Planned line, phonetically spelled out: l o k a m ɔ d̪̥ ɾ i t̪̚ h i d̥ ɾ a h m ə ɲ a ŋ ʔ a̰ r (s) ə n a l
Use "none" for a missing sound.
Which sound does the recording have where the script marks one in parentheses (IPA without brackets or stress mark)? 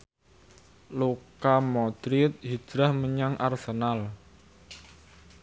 s